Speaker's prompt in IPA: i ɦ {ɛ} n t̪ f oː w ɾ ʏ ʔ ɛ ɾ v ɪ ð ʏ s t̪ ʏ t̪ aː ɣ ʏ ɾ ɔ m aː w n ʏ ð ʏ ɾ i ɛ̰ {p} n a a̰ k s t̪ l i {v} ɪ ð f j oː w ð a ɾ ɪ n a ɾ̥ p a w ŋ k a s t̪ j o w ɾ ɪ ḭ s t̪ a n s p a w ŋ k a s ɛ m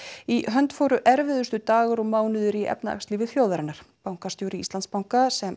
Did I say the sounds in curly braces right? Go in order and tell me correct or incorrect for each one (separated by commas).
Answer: incorrect, correct, correct